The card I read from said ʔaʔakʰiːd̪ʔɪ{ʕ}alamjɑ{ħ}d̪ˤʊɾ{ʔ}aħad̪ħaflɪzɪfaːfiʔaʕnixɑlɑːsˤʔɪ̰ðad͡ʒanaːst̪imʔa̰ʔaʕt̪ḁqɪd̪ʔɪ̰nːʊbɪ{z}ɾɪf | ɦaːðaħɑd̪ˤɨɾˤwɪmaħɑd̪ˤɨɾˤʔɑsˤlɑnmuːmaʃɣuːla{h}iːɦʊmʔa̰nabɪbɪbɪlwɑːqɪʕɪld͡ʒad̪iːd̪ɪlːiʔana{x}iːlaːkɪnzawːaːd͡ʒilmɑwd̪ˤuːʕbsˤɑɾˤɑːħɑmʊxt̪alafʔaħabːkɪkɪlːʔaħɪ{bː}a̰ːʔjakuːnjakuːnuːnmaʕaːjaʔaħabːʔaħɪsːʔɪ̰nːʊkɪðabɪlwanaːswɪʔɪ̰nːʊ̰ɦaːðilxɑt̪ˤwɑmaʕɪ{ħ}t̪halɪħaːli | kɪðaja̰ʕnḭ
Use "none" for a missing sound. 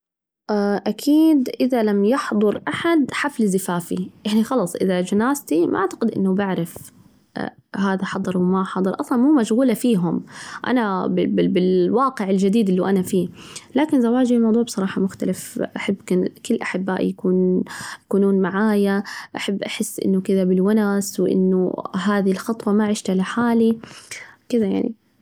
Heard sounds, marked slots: ð, ħ, ʔ, ʕ, f, f, bː, ʃ

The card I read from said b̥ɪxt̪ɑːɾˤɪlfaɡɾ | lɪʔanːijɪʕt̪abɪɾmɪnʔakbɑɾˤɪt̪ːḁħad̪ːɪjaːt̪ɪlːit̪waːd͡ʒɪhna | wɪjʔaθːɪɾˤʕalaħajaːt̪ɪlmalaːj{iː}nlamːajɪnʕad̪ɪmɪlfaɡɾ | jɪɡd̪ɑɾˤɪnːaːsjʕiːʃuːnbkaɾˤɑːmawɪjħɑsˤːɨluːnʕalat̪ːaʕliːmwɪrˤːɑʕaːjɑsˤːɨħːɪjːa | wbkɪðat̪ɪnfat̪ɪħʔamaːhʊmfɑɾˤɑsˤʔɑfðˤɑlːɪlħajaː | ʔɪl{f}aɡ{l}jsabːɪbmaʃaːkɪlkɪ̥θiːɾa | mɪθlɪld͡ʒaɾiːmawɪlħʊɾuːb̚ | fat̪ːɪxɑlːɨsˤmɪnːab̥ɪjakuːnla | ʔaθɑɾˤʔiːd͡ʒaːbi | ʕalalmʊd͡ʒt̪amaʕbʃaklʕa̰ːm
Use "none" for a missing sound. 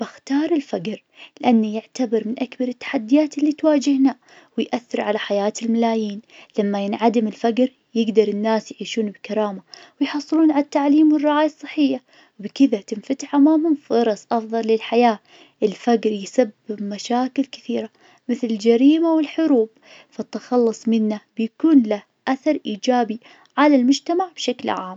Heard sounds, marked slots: iː, f, ɾ

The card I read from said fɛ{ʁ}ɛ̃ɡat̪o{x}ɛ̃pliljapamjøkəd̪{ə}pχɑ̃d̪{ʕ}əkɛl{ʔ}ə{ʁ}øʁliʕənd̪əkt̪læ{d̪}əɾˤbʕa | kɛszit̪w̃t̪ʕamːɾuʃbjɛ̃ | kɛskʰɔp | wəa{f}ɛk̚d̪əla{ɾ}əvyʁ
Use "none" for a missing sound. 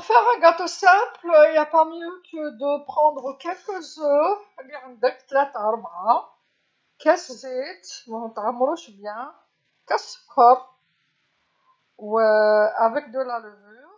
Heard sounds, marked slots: ʁ, s, ə, ʁ, k, z, t̪, v, l

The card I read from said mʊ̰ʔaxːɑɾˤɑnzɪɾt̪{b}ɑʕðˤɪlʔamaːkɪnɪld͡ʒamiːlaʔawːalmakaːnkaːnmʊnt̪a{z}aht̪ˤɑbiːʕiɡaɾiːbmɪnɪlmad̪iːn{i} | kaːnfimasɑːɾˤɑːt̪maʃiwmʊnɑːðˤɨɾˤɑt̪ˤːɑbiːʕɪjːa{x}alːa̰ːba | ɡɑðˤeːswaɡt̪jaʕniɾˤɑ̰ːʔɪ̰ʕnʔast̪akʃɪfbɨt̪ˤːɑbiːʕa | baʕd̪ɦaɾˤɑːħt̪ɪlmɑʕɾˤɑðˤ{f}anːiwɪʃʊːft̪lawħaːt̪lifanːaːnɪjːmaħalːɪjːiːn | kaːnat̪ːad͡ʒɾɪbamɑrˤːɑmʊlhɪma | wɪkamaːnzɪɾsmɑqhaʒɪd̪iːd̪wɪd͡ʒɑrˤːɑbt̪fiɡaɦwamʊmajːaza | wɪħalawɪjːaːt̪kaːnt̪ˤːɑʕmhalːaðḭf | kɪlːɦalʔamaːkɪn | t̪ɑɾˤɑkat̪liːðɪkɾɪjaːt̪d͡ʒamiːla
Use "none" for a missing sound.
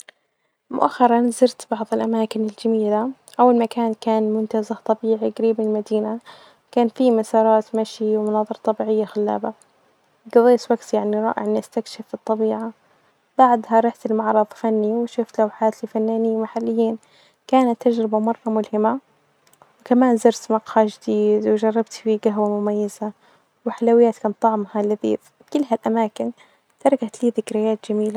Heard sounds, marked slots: b, z, a, x, f

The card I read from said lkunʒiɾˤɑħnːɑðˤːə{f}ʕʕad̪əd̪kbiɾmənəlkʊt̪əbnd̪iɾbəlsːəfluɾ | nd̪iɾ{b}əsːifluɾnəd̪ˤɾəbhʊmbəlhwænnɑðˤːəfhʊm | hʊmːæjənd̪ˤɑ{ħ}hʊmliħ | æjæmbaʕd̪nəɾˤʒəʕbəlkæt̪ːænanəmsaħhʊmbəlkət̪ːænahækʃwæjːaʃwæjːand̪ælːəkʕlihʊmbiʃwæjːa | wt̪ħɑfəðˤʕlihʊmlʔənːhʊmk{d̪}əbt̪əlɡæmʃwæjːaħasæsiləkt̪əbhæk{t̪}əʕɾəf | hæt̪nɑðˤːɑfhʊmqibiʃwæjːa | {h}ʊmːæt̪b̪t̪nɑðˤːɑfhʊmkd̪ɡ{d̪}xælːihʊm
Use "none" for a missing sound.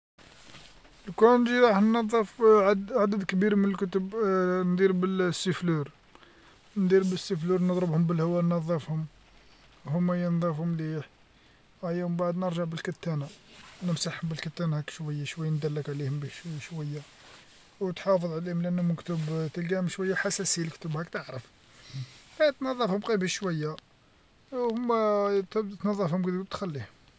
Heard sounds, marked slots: f, b, f, t̪, t̪, h, t̪

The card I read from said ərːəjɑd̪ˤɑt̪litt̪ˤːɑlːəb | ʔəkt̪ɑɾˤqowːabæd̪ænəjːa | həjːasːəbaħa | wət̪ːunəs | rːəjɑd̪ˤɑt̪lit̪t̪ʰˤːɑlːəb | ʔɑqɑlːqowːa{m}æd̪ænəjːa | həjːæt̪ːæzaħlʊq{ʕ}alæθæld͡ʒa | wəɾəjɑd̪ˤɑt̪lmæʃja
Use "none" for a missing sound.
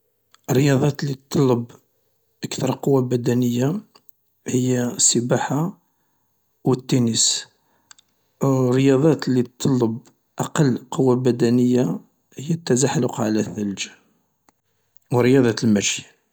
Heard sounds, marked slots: b, ʕ

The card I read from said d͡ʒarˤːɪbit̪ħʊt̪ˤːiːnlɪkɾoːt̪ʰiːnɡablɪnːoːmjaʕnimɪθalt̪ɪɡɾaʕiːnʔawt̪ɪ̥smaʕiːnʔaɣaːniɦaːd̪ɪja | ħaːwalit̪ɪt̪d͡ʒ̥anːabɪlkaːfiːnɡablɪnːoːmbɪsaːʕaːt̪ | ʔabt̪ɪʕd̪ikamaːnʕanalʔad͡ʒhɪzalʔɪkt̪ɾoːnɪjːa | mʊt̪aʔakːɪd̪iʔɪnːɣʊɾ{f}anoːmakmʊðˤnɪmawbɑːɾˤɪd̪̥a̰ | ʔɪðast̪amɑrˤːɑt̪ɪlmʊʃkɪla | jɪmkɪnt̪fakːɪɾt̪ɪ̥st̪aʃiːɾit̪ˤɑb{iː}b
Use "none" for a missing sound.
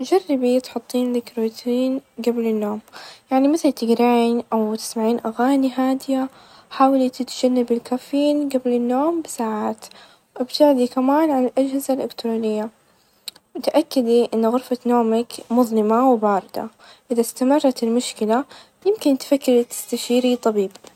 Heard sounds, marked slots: f, iː

